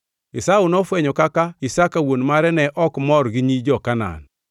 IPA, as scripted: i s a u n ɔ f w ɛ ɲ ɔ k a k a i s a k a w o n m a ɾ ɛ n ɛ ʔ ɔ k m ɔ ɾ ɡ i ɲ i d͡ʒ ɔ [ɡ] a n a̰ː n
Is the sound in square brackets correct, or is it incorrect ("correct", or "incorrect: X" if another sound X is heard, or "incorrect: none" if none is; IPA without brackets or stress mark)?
incorrect: k